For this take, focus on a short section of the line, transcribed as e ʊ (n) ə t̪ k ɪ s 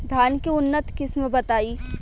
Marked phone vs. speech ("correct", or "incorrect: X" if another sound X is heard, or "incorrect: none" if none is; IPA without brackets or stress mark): incorrect: nː